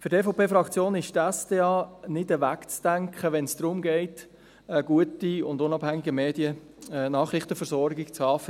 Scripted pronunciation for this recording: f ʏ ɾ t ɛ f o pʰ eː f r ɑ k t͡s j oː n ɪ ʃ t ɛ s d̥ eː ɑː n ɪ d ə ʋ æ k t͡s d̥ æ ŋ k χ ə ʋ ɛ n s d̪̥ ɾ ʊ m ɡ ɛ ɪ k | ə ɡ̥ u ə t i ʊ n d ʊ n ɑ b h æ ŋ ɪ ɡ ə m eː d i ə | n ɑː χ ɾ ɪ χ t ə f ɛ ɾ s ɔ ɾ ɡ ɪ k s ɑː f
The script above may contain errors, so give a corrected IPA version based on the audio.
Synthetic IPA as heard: f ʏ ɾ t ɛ f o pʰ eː f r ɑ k t͡s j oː n ɪ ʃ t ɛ s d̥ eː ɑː n ɪ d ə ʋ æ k t͡s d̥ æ ŋ k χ ə ʋ ɛ n s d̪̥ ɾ ʊ m ɡ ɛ ɪ t | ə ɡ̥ u ə t i ʊ n d ʊ n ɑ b h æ ŋ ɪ ɡ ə m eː d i ə | n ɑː χ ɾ ɪ χ t ə f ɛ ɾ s ɔ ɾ ɡ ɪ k t͡s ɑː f